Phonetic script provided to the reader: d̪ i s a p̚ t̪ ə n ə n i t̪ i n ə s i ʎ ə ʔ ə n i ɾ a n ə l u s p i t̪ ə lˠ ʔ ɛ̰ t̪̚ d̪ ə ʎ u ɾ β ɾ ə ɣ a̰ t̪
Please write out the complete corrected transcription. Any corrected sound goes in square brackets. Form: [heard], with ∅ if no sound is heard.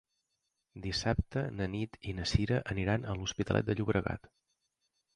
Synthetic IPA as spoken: d̪ i s a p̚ t̪ ə n ə n i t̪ i n ə s i [ɾ] ə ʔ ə n i ɾ a n ə l u s p i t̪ ə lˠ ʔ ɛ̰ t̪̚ d̪ ə ʎ u [∅] β ɾ ə ɣ a̰ t̪

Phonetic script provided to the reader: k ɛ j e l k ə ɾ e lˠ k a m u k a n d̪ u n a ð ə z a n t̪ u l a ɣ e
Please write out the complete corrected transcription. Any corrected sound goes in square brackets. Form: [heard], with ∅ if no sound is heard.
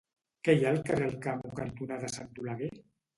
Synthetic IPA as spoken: k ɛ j [a] l k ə [r] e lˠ k a m u k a n [t̪] u n a ð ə [s] a n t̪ u l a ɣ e

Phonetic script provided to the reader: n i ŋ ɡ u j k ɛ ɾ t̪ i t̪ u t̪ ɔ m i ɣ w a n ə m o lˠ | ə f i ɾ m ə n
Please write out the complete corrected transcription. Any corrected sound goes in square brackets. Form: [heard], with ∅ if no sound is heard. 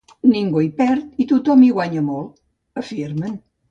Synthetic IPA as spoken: n i ŋ ɡ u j [p] ɛ ɾ t̪ i t̪ u t̪ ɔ m i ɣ w a [ɲ] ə m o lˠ | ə f i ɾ m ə n

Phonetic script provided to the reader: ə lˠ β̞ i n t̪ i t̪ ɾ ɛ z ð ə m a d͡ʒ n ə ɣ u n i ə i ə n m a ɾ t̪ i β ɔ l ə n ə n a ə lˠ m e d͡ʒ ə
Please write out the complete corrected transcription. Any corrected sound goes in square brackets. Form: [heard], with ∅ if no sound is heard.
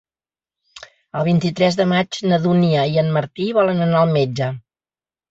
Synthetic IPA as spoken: ə lˠ β̞ i n t̪ i t̪ ɾ ɛ z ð ə m a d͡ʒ n ə [ð] u n i ə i ə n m [ə] ɾ t̪ i β ɔ l ə n ə n a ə lˠ m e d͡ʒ ə

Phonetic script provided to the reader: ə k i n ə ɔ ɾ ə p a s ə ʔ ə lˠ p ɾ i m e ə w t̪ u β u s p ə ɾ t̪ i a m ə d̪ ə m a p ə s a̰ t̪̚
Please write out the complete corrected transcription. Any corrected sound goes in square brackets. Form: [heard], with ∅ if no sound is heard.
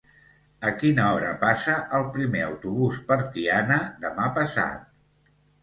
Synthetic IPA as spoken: ə k i n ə ɔ ɾ ə p a s ə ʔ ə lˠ p ɾ i m e ə w t̪ u β u s p ə ɾ t̪ i a [n] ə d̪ ə m a p ə s a̰ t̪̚

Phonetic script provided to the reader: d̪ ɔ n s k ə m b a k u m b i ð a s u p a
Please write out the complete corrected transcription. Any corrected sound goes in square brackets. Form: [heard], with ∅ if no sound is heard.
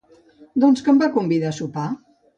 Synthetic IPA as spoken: d̪ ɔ n s k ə m b a k u m b i ð a s u p a

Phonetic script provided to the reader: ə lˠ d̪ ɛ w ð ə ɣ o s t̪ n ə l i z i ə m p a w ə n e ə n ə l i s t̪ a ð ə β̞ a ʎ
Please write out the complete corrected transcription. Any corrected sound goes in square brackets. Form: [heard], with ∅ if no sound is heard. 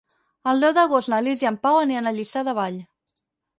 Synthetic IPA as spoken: ə lˠ d̪ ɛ w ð ə ɣ o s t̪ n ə l i z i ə m p a w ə n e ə n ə [ʎ] i s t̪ a ð ə β̞ a ʎ

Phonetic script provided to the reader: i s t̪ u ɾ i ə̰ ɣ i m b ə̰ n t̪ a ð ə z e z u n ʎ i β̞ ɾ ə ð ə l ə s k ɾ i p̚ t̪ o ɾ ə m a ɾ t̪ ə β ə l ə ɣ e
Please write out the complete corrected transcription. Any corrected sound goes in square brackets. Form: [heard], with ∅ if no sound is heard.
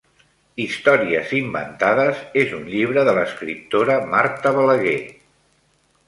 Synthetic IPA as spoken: i s t̪ [ɔ] ɾ i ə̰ [z] i m b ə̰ n t̪ a ð ə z e z u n ʎ i β̞ ɾ ə ð ə l ə s k ɾ i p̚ t̪ o ɾ ə m a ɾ t̪ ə β ə l ə ɣ e

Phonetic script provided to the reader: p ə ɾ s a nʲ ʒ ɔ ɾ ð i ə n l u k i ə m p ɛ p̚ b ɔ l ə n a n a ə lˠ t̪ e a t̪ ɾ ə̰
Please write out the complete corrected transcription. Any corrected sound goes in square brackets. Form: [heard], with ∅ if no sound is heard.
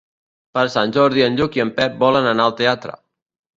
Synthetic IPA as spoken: p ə ɾ s a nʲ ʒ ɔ ɾ ð i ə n [ʎ] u k i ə m p ɛ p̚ b ɔ l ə n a n a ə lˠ t̪ e a t̪ ɾ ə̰

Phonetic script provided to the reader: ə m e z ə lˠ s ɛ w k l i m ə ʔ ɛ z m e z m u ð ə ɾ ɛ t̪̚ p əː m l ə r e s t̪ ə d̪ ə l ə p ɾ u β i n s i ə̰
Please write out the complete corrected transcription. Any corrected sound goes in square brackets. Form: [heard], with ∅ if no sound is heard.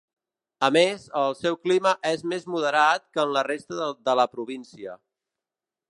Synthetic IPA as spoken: ə m e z ə lˠ s ɛ w k l i m ə ʔ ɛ z m e z m u ð ə ɾ [a] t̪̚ [k] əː [n] l ə r e s t̪ ə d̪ ə l ə p ɾ u β i n s i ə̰

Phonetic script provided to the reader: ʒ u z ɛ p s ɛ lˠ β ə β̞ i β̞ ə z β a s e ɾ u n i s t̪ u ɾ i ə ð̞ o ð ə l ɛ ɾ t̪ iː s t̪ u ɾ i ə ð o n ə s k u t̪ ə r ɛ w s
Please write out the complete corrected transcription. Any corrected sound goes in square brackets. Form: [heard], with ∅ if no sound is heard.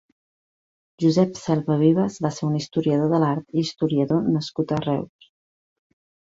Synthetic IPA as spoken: ʒ u z ɛ p s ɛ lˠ β ə β̞ i β̞ ə z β a s e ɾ u n i s t̪ u ɾ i ə ð̞ o ð ə l [a] ɾ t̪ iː s t̪ u ɾ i ə ð o n ə s k u t̪ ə r ɛ w s

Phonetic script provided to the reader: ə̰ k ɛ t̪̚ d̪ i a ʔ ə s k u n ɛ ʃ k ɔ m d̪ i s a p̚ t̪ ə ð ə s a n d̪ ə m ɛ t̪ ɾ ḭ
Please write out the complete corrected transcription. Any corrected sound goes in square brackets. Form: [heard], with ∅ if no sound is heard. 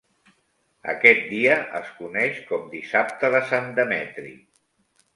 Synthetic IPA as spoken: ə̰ k ɛ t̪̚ d̪ i [ə] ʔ ə s k u n ɛ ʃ k ɔ m d̪ i s a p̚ t̪ ə ð ə s a n d̪ ə m ɛ t̪ ɾ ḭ

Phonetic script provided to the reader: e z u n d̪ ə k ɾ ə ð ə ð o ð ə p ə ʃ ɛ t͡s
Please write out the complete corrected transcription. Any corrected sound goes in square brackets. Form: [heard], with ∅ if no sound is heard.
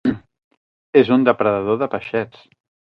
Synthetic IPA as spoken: e z u n d̪ ə [p] ɾ ə ð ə ð o ð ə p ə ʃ ɛ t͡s

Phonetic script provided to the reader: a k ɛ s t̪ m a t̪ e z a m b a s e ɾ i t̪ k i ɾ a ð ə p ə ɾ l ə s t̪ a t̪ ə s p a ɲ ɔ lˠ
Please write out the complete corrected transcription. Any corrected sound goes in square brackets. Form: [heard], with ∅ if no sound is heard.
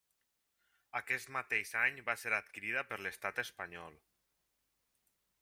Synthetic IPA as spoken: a k ɛ s t̪ m a t̪ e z a [ɲ] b a s e ɾ [a] t̪ k i ɾ [i] ð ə p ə ɾ l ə s t̪ a t̪ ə s p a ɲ ɔ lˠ

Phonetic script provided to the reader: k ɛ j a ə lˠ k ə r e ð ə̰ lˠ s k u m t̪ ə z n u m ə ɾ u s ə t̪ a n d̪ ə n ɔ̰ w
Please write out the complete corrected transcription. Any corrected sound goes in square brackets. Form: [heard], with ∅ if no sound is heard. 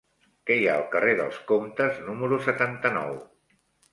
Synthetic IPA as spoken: k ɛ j a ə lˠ k ə r e ð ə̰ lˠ s k [o] m t̪ ə z n u m ə ɾ u s ə t̪ a n [t̪] ə n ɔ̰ w

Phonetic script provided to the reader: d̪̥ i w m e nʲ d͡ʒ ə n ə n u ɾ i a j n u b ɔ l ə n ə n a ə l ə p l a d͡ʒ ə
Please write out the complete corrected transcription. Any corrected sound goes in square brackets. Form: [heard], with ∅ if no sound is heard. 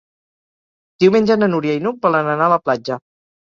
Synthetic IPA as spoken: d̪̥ i w m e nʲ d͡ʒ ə n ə n u ɾ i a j n u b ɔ l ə n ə n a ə l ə p l a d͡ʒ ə

